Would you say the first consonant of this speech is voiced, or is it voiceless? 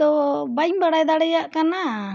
voiced